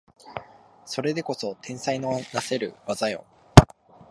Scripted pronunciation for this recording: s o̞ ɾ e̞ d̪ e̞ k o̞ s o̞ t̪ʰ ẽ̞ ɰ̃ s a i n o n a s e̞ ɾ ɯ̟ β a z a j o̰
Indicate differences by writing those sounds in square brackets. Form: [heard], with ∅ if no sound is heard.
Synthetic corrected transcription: s o̞ ɾ e̞ d̪ e̞ k o̞ s o̞ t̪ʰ ẽ̞ ɰ̃ s a i n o n a s e̞ ɾ ɯ̟ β a z a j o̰